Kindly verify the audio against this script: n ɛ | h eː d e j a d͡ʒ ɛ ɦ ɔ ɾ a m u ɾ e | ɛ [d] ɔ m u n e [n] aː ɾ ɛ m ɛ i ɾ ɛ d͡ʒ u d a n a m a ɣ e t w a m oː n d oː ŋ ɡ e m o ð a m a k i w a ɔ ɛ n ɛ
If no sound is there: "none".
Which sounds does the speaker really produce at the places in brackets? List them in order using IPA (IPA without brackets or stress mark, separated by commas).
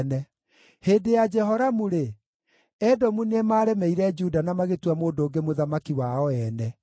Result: d, m